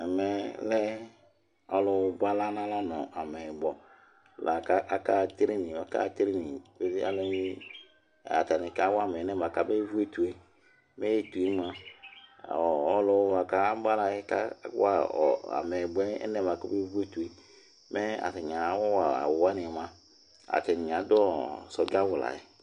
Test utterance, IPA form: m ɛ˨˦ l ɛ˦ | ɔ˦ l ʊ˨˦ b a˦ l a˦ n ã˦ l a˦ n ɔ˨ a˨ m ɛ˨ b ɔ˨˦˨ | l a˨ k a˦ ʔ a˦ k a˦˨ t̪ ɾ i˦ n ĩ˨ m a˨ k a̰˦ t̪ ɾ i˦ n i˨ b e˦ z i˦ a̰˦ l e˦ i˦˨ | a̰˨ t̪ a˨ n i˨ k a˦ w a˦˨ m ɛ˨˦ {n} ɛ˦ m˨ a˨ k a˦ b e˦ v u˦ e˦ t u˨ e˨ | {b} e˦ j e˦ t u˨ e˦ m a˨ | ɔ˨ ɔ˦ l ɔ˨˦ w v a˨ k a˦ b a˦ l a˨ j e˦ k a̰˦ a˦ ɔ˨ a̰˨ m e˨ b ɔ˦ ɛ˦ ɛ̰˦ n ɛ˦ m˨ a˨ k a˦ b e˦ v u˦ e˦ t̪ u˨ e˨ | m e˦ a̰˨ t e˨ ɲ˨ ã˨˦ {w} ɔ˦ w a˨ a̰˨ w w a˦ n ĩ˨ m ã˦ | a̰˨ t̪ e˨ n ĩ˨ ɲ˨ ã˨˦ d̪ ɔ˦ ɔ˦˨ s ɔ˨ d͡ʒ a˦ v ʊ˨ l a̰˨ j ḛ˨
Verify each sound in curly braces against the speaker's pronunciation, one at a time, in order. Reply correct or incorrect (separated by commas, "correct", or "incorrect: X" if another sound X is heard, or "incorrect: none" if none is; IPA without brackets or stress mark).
correct, incorrect: m, correct